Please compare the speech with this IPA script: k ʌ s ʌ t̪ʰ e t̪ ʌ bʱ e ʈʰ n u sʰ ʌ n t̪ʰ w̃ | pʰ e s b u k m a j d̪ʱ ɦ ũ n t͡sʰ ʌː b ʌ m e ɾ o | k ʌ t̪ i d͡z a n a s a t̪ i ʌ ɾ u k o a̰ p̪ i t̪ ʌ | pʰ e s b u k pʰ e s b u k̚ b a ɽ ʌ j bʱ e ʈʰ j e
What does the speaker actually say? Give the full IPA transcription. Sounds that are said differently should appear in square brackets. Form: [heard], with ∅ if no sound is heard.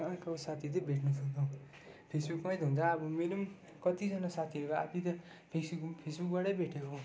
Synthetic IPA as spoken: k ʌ s [a] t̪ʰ [i] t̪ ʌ bʱ e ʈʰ n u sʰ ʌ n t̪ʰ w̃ | pʰ e s b u k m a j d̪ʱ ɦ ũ n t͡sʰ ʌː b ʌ m e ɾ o | k ʌ t̪ i d͡z [ʌ] n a s a [t̪ʰ] i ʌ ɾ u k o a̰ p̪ i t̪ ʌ | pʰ e s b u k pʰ e s b u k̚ b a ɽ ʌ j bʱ e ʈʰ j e